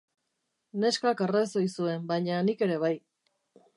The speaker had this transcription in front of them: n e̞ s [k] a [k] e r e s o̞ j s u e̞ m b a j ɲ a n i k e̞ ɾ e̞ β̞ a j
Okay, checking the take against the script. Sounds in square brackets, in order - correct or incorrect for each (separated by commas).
correct, correct